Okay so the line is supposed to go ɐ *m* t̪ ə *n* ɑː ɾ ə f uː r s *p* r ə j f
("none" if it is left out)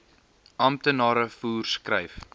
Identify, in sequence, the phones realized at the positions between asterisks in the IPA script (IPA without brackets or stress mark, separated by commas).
m, n, k